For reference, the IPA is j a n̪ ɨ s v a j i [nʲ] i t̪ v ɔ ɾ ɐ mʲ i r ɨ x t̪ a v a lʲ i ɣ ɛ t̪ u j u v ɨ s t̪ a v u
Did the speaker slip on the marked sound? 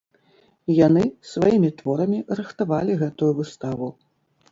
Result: yes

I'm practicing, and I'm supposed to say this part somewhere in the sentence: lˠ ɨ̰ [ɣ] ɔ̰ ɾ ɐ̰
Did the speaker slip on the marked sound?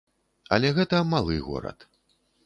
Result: no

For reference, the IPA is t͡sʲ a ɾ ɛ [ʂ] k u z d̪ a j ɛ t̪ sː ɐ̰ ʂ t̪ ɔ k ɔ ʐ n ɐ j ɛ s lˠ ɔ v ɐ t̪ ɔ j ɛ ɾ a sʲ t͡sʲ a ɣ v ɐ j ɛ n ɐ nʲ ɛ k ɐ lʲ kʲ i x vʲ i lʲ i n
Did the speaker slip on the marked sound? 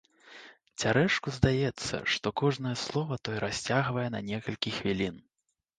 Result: no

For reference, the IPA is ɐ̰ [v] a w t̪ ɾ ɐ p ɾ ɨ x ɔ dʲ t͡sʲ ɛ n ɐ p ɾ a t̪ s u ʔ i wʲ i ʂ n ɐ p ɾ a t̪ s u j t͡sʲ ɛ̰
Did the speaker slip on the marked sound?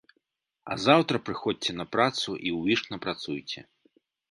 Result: yes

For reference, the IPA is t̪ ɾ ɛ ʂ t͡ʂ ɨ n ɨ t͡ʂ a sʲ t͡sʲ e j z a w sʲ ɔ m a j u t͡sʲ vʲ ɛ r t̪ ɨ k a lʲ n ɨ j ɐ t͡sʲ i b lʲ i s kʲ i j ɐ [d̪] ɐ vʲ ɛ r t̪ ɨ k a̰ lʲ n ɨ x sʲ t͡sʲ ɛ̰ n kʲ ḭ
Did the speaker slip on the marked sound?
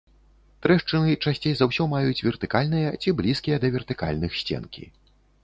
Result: no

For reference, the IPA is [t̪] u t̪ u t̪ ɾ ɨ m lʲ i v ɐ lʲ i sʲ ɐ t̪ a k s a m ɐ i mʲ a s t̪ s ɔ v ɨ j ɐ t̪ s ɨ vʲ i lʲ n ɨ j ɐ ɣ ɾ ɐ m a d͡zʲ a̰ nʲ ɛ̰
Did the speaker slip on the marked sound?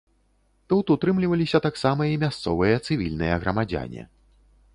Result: no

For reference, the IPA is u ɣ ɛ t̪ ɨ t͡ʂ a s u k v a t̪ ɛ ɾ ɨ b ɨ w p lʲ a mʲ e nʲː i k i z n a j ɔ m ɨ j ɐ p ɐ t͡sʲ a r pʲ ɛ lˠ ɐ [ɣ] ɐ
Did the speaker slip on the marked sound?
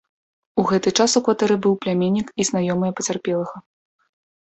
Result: no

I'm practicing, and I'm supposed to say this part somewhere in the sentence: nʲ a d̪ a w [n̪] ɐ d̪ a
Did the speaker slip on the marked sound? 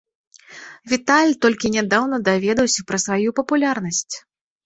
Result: no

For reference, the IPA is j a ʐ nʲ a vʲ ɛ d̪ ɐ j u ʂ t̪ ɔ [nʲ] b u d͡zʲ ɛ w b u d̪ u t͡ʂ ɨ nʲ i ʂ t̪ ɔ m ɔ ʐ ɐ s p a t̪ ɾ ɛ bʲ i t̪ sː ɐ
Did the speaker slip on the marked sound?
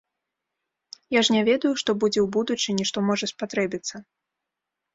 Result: yes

